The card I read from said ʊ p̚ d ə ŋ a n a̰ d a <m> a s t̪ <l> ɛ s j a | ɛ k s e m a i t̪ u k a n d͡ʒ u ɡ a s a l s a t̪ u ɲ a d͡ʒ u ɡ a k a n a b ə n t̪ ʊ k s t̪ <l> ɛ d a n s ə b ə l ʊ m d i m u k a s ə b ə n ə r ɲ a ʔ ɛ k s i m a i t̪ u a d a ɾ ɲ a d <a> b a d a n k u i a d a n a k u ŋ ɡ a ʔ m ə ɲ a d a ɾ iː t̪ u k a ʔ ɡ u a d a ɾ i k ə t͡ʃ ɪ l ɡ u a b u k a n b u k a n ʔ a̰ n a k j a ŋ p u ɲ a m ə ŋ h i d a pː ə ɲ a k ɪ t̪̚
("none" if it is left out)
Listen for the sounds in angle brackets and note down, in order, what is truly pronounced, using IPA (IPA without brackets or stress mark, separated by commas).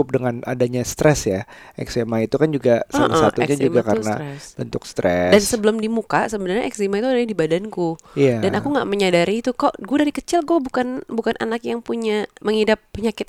ɲ, ɾ, ɾ, i